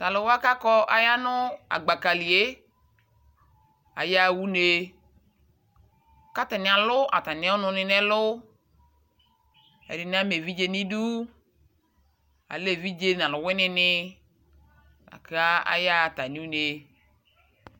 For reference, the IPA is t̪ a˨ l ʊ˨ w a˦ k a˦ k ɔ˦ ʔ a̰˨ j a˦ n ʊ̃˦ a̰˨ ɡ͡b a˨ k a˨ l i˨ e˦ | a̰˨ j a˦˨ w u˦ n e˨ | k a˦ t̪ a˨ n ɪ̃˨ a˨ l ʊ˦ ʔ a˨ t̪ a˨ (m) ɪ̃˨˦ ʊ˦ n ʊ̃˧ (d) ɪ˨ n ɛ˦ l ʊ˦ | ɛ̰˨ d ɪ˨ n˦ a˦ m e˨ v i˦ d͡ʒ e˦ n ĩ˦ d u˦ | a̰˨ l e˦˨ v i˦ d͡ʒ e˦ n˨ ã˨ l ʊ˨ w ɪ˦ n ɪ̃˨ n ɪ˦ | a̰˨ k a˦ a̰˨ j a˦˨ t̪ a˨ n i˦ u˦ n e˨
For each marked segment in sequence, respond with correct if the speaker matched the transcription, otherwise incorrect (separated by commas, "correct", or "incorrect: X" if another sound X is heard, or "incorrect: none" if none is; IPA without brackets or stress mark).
incorrect: n, incorrect: n